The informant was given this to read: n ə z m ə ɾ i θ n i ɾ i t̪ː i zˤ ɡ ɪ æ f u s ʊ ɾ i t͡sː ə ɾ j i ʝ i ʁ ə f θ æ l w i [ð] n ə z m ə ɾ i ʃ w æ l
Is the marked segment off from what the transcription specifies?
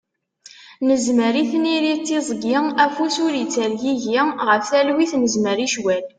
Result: yes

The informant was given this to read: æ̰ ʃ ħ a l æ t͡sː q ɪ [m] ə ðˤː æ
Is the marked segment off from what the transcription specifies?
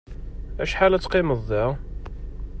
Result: no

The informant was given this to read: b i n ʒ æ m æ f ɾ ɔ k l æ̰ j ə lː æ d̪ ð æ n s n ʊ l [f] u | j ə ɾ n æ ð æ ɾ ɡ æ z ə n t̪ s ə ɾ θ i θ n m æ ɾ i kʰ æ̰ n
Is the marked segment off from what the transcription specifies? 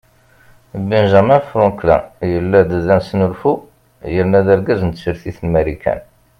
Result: no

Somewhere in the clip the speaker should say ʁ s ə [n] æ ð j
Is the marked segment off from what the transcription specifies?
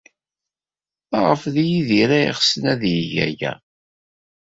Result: no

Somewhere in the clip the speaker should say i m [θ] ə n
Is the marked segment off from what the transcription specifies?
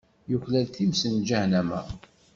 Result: yes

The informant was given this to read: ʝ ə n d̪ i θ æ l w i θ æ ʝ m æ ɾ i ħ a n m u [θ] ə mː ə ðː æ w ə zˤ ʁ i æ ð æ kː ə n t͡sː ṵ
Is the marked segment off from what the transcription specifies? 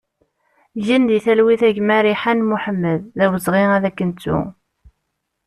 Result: yes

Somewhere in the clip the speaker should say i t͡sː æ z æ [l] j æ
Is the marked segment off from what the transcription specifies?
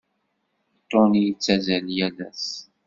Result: no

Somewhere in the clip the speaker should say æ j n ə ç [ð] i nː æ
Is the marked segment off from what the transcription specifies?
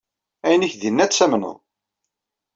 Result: no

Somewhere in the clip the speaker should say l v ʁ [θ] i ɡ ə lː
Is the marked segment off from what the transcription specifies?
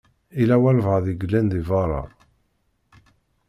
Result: yes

